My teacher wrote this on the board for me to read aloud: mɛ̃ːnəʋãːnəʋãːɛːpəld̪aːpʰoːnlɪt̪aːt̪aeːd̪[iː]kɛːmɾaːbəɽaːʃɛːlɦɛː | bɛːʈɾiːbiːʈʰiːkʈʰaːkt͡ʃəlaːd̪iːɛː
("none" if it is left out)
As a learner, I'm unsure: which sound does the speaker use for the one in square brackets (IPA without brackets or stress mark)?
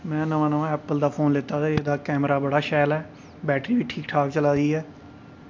aː